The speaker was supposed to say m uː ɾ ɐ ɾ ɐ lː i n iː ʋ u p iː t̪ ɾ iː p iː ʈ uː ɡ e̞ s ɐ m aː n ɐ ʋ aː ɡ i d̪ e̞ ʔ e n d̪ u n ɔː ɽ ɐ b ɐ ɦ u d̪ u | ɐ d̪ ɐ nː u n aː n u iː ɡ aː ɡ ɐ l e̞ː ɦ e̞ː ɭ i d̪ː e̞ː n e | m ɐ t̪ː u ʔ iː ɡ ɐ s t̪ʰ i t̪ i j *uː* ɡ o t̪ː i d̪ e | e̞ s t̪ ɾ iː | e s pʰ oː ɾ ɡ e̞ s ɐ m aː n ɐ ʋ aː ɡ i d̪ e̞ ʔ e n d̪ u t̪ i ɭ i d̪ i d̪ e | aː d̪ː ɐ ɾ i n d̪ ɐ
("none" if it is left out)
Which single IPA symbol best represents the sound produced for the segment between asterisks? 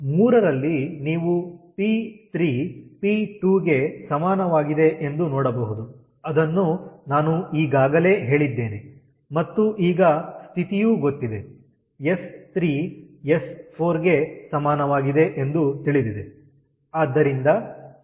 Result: uː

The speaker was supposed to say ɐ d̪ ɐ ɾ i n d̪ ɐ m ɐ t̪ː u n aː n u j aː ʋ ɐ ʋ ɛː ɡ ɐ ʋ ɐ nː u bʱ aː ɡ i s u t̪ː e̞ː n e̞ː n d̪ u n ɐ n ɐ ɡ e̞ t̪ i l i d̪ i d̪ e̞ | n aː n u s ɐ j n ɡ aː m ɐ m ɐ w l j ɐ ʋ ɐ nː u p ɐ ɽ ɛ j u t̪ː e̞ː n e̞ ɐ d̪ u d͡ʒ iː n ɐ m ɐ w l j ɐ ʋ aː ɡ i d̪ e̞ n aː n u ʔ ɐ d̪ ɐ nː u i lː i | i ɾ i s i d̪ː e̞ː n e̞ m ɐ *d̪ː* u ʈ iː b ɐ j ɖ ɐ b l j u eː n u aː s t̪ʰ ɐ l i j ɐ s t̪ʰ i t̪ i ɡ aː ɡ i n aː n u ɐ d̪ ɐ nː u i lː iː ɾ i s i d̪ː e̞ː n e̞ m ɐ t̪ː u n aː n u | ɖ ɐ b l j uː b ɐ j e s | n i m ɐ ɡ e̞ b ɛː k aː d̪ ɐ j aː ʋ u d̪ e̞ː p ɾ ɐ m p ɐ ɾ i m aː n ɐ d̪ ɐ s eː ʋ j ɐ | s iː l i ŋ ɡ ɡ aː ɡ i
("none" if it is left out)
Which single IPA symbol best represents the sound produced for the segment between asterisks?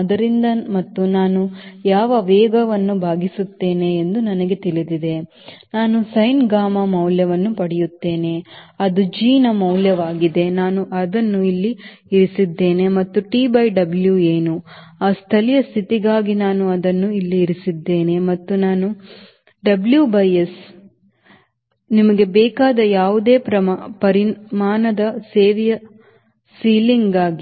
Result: t̪ː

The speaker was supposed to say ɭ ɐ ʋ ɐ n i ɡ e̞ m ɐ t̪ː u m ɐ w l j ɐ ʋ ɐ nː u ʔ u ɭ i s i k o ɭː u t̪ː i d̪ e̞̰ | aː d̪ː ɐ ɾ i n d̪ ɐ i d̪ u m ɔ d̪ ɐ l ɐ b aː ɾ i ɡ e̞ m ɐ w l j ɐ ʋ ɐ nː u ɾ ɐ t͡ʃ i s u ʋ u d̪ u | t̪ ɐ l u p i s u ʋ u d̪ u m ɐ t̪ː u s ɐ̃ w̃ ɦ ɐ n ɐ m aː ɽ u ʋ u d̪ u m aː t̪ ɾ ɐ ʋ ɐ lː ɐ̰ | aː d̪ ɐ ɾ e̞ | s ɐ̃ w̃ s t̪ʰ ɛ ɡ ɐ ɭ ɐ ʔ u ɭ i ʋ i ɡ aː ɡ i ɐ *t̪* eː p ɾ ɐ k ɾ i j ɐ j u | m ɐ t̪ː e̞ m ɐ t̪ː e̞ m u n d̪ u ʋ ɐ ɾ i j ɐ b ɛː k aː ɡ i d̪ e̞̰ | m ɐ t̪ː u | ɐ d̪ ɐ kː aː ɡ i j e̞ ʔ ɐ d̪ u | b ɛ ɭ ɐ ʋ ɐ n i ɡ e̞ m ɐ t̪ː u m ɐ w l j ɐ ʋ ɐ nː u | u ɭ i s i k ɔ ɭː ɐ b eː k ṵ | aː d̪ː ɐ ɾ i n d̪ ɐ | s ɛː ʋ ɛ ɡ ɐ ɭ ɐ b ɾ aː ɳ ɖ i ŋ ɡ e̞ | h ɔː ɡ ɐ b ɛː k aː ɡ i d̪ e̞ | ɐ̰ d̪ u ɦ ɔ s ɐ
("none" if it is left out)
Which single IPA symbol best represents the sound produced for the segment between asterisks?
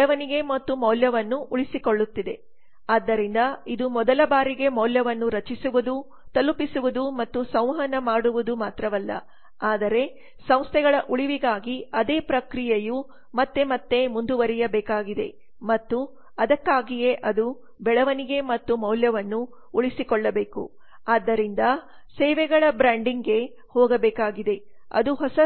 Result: d̪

